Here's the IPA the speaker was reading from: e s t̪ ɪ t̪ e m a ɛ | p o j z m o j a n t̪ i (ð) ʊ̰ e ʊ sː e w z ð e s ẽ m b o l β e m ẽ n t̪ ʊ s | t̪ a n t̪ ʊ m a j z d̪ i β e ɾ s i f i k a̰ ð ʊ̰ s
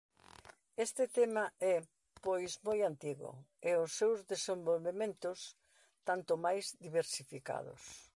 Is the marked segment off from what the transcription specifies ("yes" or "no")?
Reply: yes